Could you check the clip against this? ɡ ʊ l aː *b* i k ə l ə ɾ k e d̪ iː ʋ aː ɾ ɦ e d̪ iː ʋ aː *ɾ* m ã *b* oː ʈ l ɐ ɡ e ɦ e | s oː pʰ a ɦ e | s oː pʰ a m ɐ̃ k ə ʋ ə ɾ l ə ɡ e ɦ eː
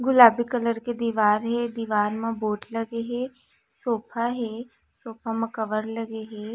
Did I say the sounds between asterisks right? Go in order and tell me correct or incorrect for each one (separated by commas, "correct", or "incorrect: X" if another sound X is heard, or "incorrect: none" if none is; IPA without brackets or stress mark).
correct, correct, correct